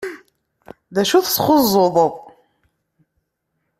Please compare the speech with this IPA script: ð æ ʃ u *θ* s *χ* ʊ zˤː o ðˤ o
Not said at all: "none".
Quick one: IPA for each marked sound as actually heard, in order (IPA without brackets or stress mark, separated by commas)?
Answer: θ, χ